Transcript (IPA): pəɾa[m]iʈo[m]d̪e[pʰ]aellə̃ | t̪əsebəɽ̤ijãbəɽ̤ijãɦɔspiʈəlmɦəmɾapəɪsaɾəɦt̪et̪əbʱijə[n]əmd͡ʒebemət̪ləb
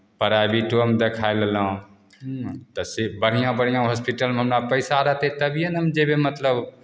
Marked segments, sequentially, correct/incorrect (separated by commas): incorrect, correct, incorrect, correct